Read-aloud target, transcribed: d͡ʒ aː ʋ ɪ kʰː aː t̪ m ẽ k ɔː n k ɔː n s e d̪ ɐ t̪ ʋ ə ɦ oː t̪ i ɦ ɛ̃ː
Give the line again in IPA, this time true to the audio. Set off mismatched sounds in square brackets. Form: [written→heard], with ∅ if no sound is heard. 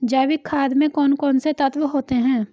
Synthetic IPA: d͡ʒ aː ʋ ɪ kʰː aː [t̪→d̪] m ẽ k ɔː n k ɔː n s e [d̪→t̪] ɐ t̪ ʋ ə ɦ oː t̪ [i→e] ɦ ɛ̃ː